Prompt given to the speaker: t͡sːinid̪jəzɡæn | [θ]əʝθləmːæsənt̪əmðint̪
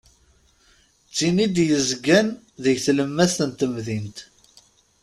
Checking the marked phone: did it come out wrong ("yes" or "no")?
yes